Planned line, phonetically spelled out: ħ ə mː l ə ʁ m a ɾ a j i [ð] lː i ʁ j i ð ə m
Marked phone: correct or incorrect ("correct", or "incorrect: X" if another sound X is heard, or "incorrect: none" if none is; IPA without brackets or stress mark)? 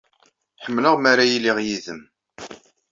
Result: incorrect: none